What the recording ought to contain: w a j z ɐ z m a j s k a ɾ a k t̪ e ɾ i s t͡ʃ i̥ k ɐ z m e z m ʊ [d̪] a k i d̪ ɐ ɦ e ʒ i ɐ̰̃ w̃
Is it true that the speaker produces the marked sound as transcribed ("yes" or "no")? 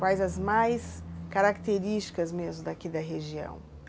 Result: yes